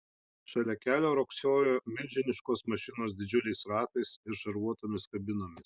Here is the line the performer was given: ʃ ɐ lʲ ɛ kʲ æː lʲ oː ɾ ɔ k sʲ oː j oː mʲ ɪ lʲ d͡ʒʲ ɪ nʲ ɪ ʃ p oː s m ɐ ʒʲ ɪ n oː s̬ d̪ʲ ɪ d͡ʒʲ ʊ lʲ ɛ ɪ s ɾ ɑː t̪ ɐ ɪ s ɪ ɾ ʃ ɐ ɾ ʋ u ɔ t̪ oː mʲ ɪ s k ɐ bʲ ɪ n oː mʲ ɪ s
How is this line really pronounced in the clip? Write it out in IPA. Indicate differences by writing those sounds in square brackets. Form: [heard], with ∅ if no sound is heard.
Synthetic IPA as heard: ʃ ɐ lʲ ɛ kʲ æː lʲ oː ɾ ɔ k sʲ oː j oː mʲ ɪ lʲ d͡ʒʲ ɪ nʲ ɪ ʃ [k] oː s m ɐ [ʃʲ] ɪ n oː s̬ d̪ʲ ɪ d͡ʒʲ ʊ lʲ ɛ ɪ s ɾ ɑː t̪ ɐ ɪ s ɪ ɾ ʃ ɐ ɾ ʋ u ɔ t̪ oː mʲ ɪ s k ɐ bʲ ɪ n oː mʲ ɪ s